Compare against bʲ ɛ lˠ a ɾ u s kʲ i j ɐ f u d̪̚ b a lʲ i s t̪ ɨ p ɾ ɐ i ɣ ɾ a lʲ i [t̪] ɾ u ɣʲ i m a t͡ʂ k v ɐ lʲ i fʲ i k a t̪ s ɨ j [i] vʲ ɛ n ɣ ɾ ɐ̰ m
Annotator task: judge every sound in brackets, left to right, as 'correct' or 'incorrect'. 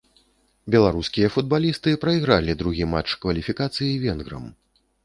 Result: incorrect: d̪, correct

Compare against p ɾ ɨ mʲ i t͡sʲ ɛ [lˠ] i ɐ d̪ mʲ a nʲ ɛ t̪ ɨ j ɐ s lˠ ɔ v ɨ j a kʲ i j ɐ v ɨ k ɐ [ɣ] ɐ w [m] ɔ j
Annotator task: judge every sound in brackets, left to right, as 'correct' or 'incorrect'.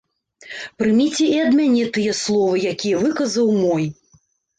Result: incorrect: none, incorrect: z, correct

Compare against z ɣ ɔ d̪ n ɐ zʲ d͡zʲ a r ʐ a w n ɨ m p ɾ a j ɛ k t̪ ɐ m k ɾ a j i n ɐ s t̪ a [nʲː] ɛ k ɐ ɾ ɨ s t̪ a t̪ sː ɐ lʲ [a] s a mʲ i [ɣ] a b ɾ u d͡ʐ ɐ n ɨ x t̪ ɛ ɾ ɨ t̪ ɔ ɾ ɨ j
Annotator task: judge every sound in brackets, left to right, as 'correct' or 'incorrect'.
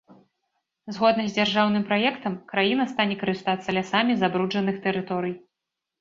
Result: incorrect: nʲ, correct, incorrect: z

